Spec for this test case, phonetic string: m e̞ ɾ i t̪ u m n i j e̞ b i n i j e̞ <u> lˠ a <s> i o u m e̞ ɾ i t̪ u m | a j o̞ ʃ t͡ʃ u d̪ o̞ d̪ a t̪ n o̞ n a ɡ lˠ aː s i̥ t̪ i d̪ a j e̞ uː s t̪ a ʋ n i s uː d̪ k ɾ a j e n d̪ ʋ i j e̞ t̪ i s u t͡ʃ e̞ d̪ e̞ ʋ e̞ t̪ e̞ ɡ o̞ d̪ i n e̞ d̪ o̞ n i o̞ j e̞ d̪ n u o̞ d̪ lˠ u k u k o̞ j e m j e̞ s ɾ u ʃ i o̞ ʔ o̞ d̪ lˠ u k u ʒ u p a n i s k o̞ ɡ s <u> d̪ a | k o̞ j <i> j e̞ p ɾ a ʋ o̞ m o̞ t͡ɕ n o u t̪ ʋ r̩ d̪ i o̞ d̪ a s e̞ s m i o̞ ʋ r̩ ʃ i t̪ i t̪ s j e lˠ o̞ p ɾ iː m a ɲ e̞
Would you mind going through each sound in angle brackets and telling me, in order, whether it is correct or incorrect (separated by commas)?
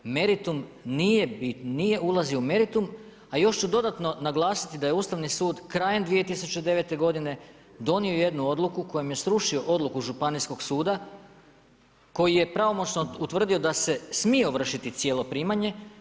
correct, incorrect, incorrect, correct